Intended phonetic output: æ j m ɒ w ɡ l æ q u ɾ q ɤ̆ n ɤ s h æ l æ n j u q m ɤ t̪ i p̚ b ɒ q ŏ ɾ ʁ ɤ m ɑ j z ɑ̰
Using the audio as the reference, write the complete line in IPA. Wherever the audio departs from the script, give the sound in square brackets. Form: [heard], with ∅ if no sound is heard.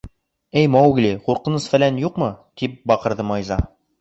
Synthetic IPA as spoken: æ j m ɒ w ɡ l [i] q u ɾ q ɤ̆ n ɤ s [f] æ l æ n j u q m ɤ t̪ i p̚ b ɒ q [ɤ̆] ɾ [ð] ɤ m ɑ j z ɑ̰